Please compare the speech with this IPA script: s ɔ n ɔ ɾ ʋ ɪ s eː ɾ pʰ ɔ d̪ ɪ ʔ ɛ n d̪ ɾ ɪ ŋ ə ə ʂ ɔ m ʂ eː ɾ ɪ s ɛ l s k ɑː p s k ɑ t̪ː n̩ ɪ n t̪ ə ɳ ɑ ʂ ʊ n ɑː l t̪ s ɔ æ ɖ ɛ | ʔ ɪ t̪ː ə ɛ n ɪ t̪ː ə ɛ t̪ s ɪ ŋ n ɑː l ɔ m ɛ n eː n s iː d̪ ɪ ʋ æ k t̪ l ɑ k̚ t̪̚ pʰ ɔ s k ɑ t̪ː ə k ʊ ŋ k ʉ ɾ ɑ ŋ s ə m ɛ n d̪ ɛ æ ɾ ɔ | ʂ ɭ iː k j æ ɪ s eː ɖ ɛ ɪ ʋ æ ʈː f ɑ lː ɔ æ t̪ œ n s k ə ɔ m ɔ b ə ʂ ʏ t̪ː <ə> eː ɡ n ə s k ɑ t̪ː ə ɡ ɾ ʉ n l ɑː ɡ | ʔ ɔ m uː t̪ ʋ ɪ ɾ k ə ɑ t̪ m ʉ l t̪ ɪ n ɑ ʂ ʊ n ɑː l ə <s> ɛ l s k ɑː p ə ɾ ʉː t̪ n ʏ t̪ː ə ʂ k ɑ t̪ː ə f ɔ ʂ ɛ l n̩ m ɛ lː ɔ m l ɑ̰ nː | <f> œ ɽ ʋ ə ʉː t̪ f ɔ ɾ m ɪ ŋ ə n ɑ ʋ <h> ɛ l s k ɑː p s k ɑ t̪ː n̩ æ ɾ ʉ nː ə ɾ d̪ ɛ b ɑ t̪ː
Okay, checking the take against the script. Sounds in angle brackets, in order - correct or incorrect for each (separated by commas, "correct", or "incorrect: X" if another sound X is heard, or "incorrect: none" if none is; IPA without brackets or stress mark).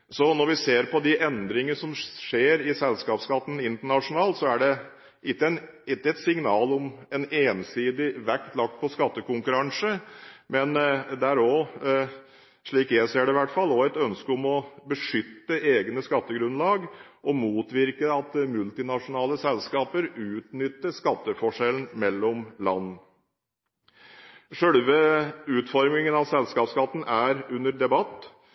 correct, correct, incorrect: ʂ, incorrect: s